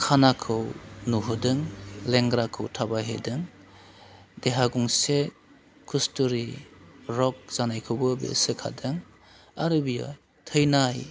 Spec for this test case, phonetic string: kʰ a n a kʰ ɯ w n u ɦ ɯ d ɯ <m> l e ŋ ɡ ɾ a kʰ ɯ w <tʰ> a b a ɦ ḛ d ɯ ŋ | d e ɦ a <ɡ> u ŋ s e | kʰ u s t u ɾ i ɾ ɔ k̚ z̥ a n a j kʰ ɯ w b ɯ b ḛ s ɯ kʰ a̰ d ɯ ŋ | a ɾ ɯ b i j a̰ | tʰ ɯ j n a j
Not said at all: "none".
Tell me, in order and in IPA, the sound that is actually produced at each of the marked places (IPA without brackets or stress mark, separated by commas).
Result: ŋ, tʰ, ɡ